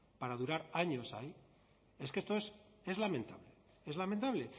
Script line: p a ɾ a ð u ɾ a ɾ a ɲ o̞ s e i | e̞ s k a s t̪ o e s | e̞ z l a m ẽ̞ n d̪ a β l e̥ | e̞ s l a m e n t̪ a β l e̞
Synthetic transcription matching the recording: p a ɾ a ð u ɾ a ɾ a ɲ o̞ s a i | e̞ s k e s t̪ o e s | e̞ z l a m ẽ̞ n t̪ a β l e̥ | e̞ z l a m e n t̪ a β l e̞